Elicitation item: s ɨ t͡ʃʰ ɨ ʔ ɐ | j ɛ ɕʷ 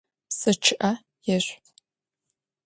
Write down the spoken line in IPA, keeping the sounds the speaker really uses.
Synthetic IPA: s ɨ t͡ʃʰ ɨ ʔ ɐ | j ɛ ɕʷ

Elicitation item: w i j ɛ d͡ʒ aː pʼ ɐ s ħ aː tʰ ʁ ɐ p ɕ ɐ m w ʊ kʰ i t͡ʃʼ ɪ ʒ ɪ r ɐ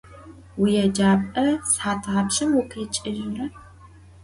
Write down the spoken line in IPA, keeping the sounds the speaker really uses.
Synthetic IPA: w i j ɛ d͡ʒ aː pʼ ɐ s ħ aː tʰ ʁ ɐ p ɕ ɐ m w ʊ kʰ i t͡ʃʼ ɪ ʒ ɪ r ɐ

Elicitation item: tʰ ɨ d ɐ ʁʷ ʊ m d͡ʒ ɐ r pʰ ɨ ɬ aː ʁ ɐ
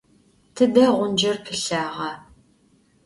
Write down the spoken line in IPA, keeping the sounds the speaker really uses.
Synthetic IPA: tʰ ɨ d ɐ ʁʷ ʊ n d͡ʒ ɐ r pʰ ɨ ɬ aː ʁ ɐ

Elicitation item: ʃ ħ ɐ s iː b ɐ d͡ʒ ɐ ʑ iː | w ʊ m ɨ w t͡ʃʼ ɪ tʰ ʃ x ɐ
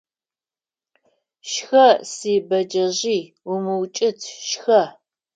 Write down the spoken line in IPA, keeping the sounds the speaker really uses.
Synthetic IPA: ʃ x ɐ s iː b ɐ d͡ʒ ɐ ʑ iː | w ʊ m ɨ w t͡ʃʼ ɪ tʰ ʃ x ɐ

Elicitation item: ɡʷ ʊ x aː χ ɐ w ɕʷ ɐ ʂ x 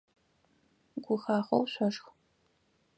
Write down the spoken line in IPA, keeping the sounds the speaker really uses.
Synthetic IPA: ɡʷ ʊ x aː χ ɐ w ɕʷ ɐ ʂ x

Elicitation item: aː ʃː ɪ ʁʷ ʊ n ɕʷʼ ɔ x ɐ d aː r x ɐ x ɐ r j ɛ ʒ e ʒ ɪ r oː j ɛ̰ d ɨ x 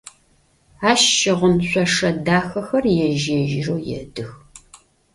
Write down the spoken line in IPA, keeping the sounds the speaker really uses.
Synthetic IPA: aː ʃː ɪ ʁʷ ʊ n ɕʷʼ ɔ ʂ ɐ d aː x ɐ x ɐ r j ɛ ʒ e ʒ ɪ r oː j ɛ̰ d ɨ x

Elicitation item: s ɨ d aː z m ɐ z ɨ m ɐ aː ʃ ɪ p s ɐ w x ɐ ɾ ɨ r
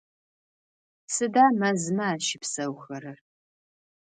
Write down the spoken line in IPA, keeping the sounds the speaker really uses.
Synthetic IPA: s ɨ d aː m ɐ z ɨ m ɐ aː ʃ ɪ p s ɐ w x ɐ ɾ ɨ r

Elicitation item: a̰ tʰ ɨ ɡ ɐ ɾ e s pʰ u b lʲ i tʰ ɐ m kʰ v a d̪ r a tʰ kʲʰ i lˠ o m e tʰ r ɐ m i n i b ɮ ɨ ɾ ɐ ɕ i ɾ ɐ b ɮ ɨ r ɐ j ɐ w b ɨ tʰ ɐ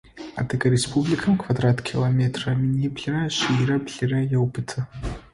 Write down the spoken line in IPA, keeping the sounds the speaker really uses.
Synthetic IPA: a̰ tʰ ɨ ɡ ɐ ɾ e s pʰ u b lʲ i kʰ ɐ m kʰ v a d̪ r a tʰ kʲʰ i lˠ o m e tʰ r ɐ m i n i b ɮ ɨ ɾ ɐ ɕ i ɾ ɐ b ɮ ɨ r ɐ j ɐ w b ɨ tʰ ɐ

